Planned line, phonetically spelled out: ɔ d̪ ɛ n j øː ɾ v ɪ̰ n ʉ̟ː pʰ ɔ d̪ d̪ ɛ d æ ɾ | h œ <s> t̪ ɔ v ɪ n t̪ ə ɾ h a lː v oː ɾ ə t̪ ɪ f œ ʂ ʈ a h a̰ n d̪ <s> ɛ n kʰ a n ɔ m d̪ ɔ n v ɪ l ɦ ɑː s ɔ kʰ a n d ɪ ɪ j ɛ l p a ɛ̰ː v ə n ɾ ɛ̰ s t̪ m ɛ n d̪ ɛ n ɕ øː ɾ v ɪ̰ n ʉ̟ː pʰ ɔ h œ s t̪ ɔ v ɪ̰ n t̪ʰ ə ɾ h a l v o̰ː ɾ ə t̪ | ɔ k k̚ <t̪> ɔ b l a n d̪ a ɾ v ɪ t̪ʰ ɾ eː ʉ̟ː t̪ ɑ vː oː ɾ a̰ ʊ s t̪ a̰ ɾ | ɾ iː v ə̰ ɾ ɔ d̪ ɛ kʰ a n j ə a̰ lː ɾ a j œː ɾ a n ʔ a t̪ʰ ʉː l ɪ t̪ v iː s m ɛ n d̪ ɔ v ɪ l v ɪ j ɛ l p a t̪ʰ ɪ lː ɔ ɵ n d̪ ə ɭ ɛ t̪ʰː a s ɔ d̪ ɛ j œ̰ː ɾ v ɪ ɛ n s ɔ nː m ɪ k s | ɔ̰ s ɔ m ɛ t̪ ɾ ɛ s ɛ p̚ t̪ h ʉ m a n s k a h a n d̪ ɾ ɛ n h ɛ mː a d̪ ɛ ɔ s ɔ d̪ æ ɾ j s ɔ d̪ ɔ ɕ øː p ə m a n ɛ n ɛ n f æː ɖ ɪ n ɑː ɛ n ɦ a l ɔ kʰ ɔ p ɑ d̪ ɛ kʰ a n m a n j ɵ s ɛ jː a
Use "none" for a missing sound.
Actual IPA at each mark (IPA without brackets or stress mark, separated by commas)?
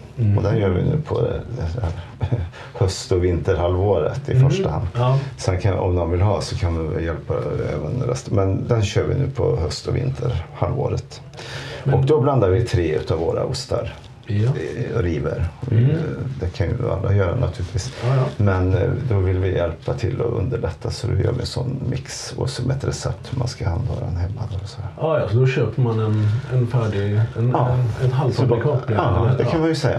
s, s, d̪